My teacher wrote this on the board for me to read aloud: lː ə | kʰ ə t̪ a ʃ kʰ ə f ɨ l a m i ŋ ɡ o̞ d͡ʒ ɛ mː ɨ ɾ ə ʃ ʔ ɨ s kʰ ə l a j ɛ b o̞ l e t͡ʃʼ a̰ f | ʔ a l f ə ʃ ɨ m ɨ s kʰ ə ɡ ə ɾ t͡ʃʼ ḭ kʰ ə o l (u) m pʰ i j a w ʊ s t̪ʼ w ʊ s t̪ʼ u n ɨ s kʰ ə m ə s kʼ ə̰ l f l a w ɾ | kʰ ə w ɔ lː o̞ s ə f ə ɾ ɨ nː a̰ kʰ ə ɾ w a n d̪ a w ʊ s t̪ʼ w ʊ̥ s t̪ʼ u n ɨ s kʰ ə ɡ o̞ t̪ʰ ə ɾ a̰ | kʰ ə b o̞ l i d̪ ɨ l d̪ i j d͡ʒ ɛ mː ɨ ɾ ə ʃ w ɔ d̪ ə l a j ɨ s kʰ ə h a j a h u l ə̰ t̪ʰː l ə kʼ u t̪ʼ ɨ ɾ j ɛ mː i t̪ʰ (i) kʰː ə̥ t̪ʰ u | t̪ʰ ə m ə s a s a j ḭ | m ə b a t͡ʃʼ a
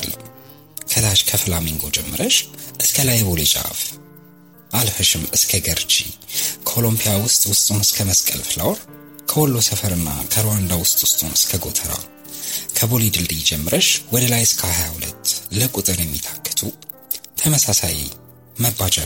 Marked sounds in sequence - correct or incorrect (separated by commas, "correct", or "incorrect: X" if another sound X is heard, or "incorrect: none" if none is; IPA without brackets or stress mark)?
incorrect: o, incorrect: a